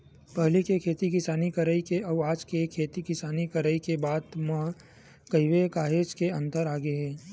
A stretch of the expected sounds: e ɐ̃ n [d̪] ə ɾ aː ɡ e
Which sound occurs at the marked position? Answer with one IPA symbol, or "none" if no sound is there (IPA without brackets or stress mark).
t̪